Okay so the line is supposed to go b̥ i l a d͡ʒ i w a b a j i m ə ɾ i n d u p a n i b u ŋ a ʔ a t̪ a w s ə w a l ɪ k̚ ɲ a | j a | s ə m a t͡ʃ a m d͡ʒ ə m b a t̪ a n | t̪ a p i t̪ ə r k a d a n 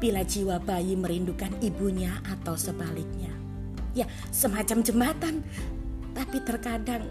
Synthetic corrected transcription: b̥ i l a d͡ʒ i w a b a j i m ə ɾ i n d u k a n i b u ɲ a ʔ a t̪ a w s ə b a l ɪ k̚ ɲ a | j a | s ə m a t͡ʃ a m d͡ʒ ə m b a t̪ a n | t̪ a p i t̪ ə r k a d a ŋ